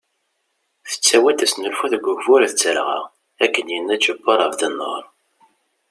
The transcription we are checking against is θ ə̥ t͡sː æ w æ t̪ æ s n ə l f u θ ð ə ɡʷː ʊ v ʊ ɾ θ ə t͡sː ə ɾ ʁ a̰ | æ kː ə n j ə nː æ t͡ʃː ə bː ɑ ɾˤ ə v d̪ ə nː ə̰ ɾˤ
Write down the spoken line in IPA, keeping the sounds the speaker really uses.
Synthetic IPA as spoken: θ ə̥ t͡sː æ w æ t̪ æ s n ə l f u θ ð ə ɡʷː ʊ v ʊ ɾ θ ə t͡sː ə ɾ ʁ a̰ | æ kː ə n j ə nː æ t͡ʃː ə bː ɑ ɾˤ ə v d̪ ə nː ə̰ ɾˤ